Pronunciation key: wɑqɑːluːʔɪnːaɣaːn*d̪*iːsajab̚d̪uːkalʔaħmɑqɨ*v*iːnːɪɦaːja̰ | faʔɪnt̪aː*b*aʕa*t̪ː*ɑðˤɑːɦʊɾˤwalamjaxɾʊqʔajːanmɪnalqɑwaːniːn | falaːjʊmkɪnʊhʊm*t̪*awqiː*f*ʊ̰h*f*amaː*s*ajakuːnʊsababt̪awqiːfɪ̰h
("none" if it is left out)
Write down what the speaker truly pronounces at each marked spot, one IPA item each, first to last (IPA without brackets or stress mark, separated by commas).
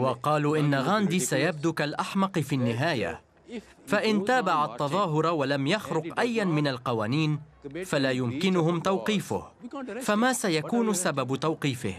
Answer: d̪, f, b, t̪ː, t̪, f, f, s